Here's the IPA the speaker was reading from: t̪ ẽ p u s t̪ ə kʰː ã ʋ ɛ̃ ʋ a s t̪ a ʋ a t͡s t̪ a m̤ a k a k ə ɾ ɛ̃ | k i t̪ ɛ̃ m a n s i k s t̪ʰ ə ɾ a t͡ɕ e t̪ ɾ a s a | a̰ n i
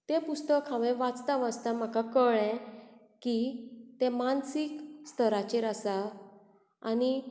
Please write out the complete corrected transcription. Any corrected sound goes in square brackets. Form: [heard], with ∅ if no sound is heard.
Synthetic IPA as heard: t̪ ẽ p u s t̪ ə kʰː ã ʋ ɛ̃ ʋ a [t͡s] t̪ a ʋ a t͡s t̪ a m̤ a k a k ə [ɭ] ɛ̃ | k i t̪ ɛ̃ m a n s i k s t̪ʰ ə ɾ a t͡ɕ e [∅] ɾ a s a | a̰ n i